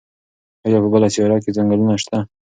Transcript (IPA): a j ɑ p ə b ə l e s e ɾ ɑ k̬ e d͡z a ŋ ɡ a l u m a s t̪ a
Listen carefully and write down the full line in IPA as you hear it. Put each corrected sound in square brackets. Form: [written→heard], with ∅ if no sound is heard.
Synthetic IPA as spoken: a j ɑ p ə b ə l [e→a] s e ɾ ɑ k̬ e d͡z a ŋ ɡ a l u [m→n] a [s→ʃ] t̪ a